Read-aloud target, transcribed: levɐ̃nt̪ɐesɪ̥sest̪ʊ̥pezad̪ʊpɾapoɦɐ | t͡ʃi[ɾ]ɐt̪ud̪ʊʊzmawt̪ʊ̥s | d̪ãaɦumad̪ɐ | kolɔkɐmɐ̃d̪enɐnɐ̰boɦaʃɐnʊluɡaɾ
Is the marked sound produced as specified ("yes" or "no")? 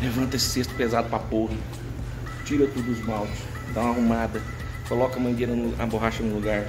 yes